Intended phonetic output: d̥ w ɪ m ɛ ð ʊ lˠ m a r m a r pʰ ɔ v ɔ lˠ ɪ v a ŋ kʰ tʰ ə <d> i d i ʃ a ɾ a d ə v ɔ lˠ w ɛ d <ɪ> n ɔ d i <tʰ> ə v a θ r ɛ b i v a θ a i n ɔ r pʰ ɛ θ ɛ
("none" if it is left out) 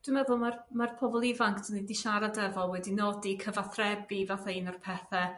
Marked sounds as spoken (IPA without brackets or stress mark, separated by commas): n, i, kʰ